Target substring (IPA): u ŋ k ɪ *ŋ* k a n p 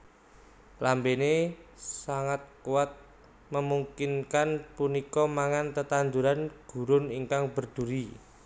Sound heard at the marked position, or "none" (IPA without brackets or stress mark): n